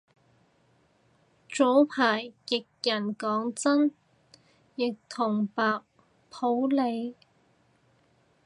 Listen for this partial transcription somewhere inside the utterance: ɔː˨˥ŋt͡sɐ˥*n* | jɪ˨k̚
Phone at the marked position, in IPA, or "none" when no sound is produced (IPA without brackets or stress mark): n